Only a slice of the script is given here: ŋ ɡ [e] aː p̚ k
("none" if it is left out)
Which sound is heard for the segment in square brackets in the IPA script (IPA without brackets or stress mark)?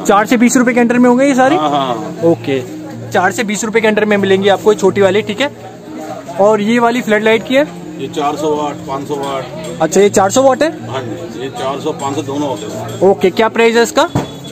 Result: i